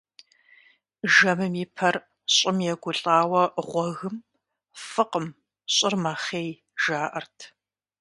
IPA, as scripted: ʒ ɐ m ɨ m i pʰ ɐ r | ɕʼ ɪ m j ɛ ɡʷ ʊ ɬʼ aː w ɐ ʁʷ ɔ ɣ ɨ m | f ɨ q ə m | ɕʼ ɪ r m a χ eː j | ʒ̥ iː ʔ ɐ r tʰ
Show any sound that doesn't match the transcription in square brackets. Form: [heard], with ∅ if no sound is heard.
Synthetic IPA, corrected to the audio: ʒ ɐ m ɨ m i pʰ ɐ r | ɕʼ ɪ m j ɛ ɡʷ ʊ ɬʼ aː w ɐ ʁʷ ɔ ɣ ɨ m | f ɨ q ə m | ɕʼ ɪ r m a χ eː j | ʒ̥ [aː] ʔ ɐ r tʰ